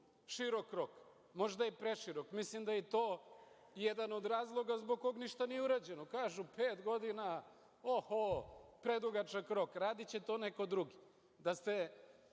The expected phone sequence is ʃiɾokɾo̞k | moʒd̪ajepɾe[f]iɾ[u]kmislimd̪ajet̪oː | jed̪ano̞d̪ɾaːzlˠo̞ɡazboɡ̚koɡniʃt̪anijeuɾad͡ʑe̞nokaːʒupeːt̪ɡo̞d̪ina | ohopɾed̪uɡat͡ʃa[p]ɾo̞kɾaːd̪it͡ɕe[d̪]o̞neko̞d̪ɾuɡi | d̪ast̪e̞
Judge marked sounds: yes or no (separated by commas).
no, no, no, no